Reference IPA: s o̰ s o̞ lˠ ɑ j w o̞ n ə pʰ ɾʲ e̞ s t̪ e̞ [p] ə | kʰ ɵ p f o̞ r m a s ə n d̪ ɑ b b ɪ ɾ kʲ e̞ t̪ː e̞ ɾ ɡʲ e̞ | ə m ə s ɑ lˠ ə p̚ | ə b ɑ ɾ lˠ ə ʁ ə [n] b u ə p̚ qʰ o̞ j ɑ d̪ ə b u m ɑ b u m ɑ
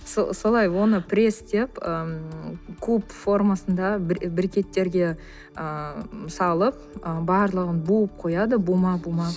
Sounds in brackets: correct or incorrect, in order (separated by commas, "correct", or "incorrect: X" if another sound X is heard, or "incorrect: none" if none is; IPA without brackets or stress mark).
correct, correct